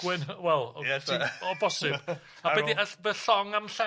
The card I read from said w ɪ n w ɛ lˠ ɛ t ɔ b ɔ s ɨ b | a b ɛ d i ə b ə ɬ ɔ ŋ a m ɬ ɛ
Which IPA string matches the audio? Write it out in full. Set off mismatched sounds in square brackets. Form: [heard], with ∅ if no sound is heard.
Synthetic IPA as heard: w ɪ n w ɛ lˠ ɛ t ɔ b ɔ s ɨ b | a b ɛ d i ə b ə ɬ ɔ ŋ a m ɬ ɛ